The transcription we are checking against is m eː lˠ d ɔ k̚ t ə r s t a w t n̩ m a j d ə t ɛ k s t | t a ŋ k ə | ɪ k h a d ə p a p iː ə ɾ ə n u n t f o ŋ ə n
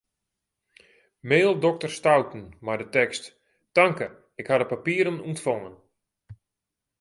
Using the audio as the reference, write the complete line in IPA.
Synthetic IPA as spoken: m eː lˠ d ɔ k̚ t ə r s t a w t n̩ m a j d ə t ɛ k s t | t a ŋ k ə | ɪ k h a d ə p a p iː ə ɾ ə n u n t f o ŋ ə n